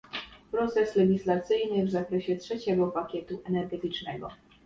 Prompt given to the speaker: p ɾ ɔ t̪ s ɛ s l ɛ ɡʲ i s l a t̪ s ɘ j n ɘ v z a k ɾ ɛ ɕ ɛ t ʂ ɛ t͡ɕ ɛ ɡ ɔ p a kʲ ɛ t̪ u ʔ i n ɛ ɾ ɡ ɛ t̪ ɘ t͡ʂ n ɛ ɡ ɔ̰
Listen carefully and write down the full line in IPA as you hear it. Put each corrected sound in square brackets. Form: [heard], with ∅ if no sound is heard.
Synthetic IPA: p ɾ ɔ t̪ s ɛ s l ɛ ɡʲ i s l a t̪ s ɘ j n ɘ v z a k ɾ ɛ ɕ ɛ t ʂ ɛ t͡ɕ ɛ ɡ ɔ p a kʲ ɛ t̪ u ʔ [ɛ] n ɛ ɾ ɡ ɛ t̪ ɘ t͡ʂ n ɛ ɡ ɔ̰

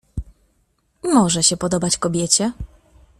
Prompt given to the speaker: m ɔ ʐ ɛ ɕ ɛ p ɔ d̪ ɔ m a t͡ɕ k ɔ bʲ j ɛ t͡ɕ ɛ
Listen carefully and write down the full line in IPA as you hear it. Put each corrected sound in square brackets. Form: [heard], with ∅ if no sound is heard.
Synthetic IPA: m ɔ ʐ ɛ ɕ ɛ p ɔ d̪ ɔ [b] a t͡ɕ k ɔ bʲ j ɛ t͡ɕ ɛ

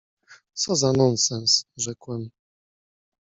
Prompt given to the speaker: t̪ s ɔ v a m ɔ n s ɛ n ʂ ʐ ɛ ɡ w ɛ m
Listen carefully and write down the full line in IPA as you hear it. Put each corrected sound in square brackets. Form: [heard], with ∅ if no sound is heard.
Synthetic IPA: t̪ s ɔ [z] a [n] ɔ n s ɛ n [s] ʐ ɛ [k] w ɛ m

